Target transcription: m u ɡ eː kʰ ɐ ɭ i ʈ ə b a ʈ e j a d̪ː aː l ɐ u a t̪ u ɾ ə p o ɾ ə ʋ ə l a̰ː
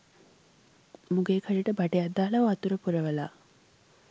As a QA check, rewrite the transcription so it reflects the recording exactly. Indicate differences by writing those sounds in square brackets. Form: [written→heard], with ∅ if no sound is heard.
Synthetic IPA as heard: m u ɡ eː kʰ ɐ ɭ i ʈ ə b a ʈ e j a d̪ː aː l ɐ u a t̪ u ɾ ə p [o→u] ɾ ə ʋ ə l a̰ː